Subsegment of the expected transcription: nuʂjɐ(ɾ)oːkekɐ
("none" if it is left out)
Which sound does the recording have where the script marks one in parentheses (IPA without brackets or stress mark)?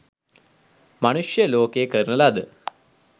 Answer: l